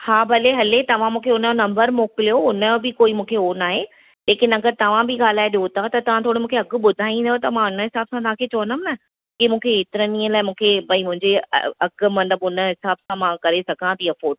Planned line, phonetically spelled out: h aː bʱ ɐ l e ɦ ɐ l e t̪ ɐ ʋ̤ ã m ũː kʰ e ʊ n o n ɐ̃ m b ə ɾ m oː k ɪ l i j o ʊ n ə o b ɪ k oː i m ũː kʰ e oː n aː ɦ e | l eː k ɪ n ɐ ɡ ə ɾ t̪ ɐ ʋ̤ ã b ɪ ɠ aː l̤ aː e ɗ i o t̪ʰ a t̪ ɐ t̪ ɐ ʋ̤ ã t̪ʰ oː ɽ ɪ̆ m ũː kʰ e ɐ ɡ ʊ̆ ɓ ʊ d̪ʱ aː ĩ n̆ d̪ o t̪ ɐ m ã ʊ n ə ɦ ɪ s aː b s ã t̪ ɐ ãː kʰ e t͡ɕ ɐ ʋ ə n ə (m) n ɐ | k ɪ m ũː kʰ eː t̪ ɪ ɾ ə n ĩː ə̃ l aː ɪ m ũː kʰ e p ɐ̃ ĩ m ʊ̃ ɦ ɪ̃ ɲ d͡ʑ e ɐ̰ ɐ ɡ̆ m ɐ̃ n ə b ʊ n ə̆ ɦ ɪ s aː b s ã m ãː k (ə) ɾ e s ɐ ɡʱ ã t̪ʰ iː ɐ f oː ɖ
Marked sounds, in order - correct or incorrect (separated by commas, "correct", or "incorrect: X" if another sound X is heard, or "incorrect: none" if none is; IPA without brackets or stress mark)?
correct, incorrect: ɐ